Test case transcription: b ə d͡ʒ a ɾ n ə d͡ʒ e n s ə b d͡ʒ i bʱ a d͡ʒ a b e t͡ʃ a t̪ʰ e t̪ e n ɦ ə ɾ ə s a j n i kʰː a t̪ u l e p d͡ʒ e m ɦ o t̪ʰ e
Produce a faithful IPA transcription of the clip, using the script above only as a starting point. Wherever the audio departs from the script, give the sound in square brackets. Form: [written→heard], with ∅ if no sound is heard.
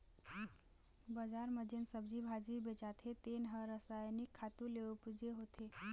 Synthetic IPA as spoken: b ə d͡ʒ a ɾ [n→m] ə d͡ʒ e n s ə b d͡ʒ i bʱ a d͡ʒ [a→i] b e t͡ʃ a t̪ʰ e t̪ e n ɦ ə ɾ ə s a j n i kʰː a t̪ u l e p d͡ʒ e [m→∅] ɦ o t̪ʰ e